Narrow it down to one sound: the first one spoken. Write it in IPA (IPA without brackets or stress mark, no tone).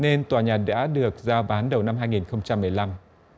n